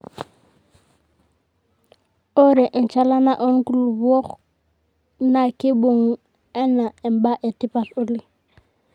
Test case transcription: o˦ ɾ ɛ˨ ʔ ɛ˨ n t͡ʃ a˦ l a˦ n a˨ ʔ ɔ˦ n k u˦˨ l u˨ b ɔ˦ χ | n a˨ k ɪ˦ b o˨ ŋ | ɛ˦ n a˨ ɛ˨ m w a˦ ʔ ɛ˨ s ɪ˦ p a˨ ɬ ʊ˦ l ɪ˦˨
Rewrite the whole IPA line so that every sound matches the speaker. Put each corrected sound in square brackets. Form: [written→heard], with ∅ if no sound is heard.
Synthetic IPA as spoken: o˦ ɾ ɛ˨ ʔ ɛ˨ n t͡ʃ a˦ l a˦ n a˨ ʔ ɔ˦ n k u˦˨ l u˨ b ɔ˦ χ | n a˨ k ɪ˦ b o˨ ŋ | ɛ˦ n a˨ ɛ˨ m [w→b] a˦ ʔ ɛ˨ [s→t] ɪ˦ p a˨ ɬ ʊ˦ l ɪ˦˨